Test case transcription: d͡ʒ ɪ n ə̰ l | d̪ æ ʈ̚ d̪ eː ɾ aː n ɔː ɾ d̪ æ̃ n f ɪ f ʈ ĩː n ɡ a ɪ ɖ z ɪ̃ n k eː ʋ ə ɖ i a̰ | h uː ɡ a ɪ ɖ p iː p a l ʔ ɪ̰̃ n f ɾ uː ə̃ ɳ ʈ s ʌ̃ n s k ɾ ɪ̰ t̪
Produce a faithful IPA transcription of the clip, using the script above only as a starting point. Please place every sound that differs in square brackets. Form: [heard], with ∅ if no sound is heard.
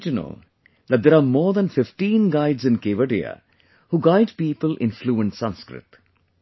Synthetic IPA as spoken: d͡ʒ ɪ n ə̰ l | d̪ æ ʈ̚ d̪ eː ɾ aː [m] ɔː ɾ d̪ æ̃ n f ɪ f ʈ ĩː n ɡ a ɪ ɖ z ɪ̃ n k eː ʋ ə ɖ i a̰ | h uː ɡ a ɪ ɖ p iː p [ə] l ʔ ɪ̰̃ n f [l] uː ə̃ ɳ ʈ s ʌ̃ n s k ɾ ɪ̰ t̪